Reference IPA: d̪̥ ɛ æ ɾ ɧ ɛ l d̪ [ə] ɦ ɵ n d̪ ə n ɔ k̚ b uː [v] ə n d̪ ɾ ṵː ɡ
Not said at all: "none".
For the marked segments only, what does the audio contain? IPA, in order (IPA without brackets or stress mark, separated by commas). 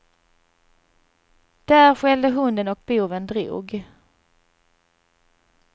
ə, v